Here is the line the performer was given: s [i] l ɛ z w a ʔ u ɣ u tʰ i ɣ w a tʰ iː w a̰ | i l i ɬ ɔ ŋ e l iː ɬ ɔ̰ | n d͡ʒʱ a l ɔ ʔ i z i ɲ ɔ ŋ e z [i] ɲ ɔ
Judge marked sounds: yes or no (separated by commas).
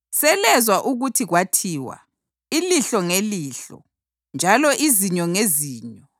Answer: no, no